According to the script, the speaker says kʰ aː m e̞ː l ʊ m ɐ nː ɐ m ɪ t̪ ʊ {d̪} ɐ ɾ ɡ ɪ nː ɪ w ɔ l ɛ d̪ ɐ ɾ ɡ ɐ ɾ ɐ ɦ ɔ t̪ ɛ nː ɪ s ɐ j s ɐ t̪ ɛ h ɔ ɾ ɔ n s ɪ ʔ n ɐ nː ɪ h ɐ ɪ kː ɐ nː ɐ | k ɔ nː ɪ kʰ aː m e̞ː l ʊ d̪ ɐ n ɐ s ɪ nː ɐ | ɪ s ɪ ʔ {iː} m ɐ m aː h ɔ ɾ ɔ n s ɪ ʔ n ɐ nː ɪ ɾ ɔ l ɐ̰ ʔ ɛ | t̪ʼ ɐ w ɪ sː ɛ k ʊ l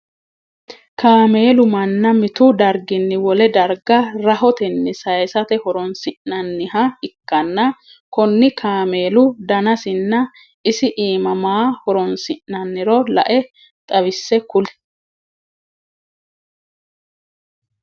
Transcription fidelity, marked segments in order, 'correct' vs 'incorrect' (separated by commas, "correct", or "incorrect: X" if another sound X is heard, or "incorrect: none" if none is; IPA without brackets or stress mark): correct, correct